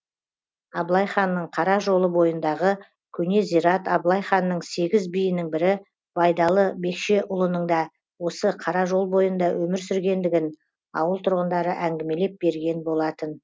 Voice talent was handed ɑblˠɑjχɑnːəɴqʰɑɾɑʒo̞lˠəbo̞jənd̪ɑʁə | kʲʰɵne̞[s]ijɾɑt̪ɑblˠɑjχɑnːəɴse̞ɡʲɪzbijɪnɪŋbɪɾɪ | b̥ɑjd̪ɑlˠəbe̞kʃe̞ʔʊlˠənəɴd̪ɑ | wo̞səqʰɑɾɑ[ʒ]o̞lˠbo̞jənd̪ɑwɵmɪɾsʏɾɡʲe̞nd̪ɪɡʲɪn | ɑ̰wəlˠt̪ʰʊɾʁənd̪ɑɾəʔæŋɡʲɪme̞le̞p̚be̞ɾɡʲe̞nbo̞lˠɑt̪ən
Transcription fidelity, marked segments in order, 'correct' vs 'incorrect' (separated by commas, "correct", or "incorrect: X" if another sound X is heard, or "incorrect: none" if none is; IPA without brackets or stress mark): incorrect: z, correct